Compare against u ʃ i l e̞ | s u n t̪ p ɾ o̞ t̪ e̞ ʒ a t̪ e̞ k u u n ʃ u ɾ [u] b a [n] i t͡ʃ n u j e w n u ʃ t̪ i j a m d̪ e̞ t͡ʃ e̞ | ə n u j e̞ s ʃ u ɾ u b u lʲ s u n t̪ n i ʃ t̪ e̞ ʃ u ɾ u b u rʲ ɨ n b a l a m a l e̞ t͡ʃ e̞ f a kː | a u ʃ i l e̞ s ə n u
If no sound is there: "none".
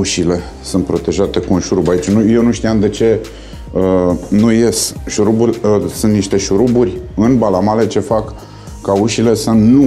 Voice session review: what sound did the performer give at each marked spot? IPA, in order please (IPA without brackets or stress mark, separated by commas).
u, none